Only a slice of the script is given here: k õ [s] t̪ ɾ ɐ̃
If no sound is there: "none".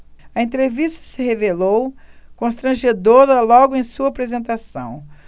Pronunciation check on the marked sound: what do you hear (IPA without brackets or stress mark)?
s